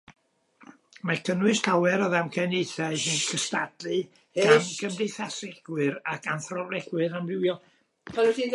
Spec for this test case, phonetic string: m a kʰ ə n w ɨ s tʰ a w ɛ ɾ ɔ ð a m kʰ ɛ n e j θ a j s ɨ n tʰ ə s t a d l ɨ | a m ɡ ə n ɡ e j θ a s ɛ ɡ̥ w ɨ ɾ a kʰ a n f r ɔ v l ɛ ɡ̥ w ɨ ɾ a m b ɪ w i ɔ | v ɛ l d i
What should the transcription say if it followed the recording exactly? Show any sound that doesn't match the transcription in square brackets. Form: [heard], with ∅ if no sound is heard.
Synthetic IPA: m a kʰ ə n w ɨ s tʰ a w ɛ ɾ ɔ ð a m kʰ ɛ n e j θ a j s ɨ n [kʰ] ə s t a d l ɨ | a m ɡ ə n [d] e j θ a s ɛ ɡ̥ w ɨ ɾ a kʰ a n [θ] r ɔ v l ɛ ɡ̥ w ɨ ɾ a m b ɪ w [j] ɔ | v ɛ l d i